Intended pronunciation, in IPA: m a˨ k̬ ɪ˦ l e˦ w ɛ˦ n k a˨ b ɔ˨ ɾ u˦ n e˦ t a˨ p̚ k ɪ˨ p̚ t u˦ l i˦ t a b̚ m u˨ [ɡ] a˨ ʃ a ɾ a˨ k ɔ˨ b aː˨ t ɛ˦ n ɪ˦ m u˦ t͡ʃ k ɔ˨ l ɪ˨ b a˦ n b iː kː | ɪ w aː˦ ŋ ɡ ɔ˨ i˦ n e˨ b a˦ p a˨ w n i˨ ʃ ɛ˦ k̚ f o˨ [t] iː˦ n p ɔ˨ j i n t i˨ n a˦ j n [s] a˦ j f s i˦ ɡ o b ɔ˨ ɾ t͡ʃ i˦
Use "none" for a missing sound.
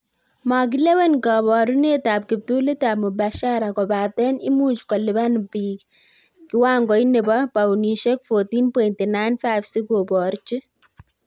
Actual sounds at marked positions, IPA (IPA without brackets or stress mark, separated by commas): b, t, f